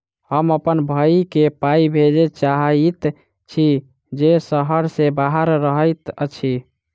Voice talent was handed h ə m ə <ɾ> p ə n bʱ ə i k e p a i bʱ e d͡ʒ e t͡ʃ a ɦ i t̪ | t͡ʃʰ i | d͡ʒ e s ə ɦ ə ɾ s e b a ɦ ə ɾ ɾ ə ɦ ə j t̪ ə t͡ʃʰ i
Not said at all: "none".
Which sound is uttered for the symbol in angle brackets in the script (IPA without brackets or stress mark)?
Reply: none